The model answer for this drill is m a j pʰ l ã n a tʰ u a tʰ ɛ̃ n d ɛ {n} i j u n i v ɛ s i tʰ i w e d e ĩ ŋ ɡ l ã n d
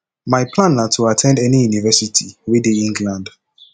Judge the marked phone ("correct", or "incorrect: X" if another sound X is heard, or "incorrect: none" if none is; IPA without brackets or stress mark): correct